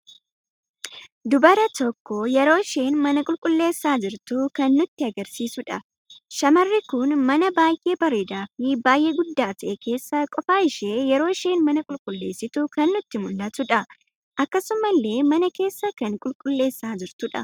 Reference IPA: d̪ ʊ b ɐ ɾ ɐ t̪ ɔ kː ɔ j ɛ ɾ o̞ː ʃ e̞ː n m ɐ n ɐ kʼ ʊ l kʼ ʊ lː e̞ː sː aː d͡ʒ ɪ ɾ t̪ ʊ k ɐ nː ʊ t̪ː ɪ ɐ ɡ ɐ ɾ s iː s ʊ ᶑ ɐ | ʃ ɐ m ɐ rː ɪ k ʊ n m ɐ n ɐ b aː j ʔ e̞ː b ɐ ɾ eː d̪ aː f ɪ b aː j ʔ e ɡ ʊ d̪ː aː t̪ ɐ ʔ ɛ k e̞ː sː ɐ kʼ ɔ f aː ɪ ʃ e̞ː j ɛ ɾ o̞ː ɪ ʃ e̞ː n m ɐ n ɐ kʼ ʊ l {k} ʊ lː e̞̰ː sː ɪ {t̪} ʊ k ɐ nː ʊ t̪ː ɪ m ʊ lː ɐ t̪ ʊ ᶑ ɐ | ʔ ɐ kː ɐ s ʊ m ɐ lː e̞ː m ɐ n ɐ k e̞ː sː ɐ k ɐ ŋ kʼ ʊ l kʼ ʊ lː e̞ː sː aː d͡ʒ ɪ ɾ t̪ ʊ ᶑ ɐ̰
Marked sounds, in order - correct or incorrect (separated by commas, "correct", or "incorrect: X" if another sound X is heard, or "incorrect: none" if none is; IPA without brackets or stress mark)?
incorrect: kʼ, correct